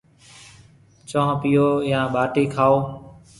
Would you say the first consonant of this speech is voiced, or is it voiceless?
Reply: voiceless